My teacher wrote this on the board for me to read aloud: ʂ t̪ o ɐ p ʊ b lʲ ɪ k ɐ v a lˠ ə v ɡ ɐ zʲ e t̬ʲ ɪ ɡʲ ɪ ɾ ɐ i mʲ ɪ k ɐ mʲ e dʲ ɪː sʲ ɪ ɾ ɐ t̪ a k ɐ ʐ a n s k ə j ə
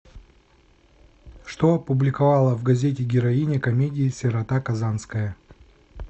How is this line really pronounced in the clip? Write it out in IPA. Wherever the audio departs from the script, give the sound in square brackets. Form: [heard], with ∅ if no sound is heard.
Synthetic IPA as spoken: ʂ t̪ o ɐ p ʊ b lʲ ɪ k ɐ v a lˠ ə v ɡ ɐ zʲ e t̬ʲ ɪ ɡʲ ɪ ɾ ɐ i [nʲ] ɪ k ɐ mʲ e dʲ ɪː sʲ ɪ ɾ ɐ t̪ a k ɐ [z] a n s k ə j ə